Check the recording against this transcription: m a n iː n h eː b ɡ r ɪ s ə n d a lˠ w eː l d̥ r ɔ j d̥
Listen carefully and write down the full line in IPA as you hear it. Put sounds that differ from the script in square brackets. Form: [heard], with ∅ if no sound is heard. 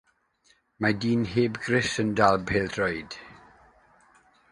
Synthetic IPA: m a [d] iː n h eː b ɡ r ɪ s ə n d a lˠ [b] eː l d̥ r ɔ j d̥